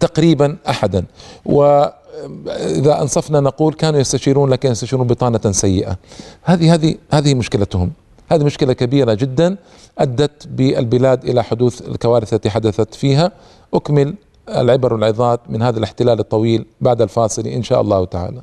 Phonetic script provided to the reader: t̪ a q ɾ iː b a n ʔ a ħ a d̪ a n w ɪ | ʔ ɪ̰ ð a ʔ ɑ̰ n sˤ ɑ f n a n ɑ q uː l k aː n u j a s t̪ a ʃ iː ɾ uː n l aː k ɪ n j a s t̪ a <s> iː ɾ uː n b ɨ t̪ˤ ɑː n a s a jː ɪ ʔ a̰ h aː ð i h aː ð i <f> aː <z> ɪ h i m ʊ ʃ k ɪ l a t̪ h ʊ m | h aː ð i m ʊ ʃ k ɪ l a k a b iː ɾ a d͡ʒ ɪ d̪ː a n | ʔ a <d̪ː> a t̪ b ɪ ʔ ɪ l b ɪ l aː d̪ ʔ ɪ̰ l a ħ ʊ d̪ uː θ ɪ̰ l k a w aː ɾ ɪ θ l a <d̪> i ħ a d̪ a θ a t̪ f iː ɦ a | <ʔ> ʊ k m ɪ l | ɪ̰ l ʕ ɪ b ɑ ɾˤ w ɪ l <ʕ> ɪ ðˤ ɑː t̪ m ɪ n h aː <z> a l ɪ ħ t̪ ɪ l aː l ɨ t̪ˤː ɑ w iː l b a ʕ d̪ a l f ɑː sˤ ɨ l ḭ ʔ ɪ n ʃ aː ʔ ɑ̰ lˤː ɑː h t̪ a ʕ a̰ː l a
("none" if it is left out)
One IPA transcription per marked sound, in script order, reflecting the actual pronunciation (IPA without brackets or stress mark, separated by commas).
ʃ, h, ð, d̪ː, t̪, ʔ, ʕ, ð